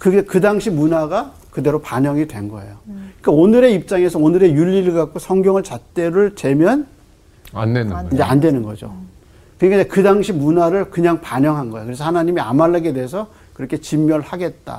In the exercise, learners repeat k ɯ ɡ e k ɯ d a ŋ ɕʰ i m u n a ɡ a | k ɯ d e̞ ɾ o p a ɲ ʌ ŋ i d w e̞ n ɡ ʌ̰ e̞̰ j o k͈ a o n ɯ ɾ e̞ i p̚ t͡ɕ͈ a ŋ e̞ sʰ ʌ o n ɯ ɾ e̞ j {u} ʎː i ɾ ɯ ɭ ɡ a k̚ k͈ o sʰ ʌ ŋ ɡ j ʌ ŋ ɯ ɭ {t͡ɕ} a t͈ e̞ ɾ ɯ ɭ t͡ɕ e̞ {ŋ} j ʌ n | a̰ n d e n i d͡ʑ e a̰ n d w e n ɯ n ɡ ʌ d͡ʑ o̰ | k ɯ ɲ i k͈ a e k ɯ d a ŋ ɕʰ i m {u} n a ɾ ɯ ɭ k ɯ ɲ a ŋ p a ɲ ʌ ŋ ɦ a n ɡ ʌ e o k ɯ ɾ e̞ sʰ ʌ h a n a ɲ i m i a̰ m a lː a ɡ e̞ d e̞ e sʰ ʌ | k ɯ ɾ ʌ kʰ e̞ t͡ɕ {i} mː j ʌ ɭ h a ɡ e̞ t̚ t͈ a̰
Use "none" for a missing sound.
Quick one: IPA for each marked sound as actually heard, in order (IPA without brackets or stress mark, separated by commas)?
u, t͡ɕ, m, u, i